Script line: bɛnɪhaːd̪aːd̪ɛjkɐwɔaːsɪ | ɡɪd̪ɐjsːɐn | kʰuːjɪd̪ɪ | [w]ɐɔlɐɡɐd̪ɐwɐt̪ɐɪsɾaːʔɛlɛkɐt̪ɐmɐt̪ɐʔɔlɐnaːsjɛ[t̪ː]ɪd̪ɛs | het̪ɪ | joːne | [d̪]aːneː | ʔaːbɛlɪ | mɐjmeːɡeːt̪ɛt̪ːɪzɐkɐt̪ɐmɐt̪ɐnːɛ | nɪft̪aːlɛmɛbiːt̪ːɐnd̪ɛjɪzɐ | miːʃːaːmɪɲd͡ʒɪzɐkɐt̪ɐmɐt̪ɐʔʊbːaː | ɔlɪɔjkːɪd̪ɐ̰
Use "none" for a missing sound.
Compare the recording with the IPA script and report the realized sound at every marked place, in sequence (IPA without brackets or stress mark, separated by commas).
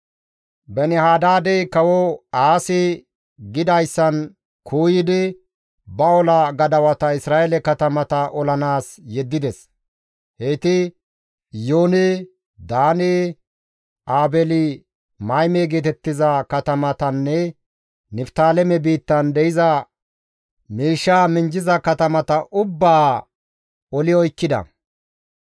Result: b, d̪ː, d̪